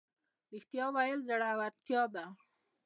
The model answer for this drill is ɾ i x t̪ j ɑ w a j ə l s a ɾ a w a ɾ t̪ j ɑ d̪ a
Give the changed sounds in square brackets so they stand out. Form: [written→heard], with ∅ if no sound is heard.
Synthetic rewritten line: ɾ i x t̪ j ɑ w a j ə l [s→z] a [ɾ→ɽ] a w a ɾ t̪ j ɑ d̪ a